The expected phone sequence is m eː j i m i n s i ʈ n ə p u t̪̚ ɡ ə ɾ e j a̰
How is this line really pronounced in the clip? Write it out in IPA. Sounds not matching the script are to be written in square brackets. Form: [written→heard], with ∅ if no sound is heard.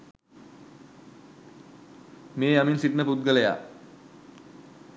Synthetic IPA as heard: m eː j [i→a] m i n s i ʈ n ə p u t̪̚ ɡ ə [ɾ→l] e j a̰